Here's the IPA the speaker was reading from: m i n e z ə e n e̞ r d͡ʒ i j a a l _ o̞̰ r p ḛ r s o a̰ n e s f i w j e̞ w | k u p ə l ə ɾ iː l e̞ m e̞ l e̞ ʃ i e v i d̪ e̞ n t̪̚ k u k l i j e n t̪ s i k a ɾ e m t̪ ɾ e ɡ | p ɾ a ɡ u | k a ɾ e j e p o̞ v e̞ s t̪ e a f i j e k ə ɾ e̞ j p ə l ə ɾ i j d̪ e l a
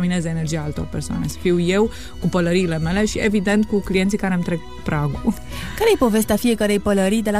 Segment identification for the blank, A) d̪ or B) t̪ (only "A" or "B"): B